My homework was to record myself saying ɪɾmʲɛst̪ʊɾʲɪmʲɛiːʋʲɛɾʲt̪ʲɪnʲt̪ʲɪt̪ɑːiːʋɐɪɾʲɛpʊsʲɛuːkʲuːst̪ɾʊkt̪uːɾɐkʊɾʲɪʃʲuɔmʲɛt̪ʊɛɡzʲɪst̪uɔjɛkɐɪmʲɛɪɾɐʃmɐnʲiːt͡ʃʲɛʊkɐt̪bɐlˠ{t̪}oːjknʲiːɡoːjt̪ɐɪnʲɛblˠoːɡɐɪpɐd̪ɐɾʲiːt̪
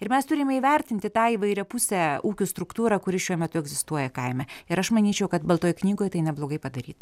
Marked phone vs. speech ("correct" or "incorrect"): correct